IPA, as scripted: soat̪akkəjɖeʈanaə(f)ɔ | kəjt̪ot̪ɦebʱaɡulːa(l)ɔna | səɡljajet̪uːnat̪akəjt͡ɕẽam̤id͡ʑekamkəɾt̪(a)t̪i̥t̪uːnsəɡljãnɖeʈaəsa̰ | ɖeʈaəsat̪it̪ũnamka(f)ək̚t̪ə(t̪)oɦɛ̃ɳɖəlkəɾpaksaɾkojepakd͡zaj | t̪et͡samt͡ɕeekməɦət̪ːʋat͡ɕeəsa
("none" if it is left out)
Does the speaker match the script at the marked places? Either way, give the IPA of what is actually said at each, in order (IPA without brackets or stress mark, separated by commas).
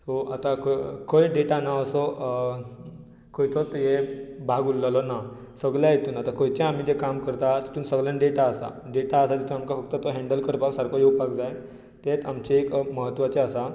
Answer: s, l, a, f, t̪